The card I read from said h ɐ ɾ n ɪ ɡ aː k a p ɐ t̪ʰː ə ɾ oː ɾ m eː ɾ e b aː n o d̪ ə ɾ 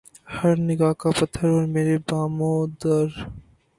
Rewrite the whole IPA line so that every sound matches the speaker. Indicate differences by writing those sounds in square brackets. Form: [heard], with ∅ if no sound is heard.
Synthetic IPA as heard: h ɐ ɾ n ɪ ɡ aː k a p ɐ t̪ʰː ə ɾ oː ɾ m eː ɾ e b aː [m] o d̪ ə ɾ